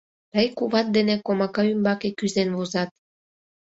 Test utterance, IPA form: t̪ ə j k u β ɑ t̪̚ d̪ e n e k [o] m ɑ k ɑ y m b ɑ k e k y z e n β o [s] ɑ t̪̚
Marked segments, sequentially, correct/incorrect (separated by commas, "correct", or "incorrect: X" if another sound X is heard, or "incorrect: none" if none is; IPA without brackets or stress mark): correct, incorrect: z